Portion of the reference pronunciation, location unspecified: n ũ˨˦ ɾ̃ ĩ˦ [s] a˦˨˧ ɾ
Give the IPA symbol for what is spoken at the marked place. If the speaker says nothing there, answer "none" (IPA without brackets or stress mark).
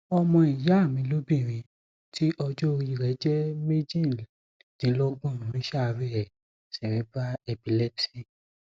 ʃ